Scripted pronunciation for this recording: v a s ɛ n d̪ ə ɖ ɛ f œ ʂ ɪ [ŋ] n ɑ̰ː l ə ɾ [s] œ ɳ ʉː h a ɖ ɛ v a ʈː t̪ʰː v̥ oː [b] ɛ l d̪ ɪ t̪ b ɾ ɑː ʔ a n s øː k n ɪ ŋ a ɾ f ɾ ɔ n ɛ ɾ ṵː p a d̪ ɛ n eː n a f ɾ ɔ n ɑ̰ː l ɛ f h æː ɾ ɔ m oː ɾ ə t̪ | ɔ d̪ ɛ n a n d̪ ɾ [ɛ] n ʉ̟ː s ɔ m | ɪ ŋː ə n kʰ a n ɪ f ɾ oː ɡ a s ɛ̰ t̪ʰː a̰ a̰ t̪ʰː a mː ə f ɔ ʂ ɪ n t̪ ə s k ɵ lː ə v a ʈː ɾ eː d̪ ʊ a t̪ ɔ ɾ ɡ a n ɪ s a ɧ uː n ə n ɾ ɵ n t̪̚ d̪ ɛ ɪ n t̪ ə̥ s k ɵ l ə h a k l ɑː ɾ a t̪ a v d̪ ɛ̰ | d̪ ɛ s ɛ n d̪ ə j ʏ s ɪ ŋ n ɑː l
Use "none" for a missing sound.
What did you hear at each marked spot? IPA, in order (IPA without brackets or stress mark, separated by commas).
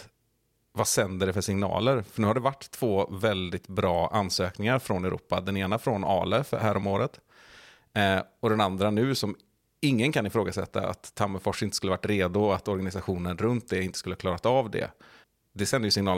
ŋ, f, v, a